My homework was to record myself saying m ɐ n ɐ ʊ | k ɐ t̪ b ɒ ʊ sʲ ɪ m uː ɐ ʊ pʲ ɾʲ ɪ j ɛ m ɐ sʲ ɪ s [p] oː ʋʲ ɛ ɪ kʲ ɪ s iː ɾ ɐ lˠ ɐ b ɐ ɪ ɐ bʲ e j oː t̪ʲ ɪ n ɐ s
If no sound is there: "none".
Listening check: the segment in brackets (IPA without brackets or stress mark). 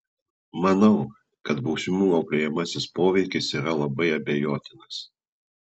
p